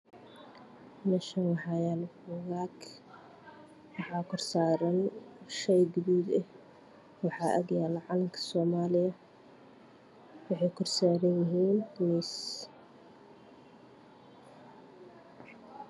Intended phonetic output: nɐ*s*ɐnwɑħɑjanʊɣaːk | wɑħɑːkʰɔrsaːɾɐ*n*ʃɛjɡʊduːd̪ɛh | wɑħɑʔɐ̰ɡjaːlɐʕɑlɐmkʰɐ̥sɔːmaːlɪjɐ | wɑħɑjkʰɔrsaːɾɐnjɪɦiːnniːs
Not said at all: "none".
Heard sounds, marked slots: ʃ, n

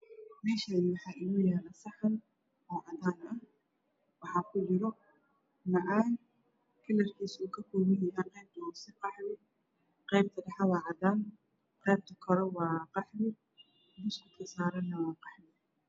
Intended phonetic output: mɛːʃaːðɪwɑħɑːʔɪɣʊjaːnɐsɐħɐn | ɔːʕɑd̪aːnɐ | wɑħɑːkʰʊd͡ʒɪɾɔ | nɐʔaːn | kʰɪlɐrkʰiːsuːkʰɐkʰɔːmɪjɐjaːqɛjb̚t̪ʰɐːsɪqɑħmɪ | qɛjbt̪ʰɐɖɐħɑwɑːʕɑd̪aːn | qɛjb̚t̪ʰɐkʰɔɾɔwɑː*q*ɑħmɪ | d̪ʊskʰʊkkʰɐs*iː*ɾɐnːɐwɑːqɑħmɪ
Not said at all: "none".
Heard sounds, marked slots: q, aː

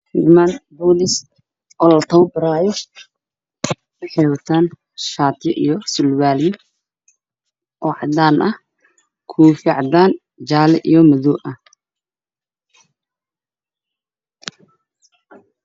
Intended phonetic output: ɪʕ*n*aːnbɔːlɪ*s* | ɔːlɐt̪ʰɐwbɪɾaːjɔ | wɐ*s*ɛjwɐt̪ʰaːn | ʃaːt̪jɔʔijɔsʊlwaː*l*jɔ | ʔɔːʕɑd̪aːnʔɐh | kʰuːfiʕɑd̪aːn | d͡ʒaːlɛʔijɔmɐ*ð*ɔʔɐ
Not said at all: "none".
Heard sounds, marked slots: m, s, ħ, l, ð

